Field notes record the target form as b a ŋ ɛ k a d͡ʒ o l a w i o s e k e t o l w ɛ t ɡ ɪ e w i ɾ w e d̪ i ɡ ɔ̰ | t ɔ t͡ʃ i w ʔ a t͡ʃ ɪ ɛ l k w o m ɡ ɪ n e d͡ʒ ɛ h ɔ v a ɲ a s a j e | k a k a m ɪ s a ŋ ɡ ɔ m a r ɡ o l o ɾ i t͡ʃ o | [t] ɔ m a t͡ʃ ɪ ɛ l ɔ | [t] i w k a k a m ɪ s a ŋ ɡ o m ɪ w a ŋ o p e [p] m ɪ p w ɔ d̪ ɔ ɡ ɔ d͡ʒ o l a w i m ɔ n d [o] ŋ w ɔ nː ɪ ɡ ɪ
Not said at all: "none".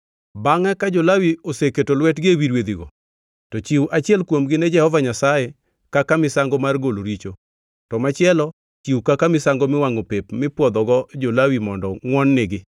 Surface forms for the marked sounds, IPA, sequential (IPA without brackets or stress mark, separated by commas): t, t͡ʃ, p, ɔ